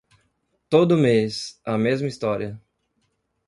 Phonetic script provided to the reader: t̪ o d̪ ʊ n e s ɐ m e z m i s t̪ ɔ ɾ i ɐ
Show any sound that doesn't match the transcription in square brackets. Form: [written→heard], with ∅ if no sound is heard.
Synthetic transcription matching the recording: t̪ o d̪ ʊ [n→m] e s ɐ m e z m i s t̪ ɔ ɾ i ɐ